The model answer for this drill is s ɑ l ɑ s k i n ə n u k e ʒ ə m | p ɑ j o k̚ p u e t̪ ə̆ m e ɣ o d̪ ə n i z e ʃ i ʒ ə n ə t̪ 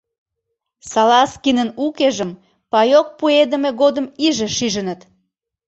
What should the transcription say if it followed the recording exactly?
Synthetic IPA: s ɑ l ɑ s k i n ə n u k e ʒ ə m | p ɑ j o k̚ p u e d̪ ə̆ m e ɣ o d̪ ə m i ʒ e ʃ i ʒ ə n ə t̪